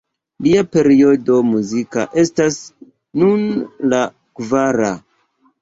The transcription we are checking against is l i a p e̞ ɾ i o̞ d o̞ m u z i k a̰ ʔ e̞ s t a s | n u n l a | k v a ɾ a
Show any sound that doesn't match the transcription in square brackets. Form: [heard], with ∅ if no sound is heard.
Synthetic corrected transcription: l i a p e̞ ɾ i o̞ d o̞ m u z i k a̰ ʔ e̞ s t a s | n u n l a | k v a ɾ a